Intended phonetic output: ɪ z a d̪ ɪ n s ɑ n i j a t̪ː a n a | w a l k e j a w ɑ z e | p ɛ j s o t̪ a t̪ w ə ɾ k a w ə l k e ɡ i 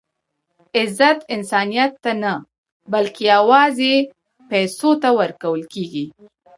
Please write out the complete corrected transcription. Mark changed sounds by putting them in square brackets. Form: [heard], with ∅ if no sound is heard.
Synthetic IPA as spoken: ɪ z a [t̪] ɪ n s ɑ n i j a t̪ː a n a | [b] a l k e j a w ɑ z e | p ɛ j s o t̪ a [∅] w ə ɾ k a w ə l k e ɡ i